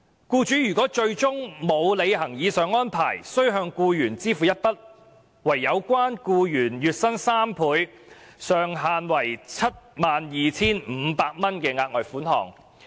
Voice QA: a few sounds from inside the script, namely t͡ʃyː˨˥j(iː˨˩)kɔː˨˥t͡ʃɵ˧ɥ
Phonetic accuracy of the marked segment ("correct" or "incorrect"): incorrect